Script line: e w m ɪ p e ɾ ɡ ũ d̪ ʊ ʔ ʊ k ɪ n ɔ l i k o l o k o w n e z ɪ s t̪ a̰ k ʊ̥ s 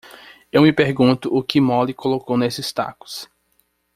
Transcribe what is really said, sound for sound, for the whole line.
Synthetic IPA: e w m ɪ p e ɾ ɡ ũ t̪ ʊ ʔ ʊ k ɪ m ɔ l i k o l o k o w n e s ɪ s t̪ a̰ k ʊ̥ s